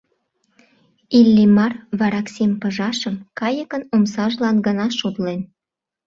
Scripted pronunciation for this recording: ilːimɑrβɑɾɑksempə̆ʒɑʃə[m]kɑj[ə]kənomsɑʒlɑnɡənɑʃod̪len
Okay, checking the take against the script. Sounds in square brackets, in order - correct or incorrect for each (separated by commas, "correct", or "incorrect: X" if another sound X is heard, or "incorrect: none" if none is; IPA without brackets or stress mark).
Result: correct, correct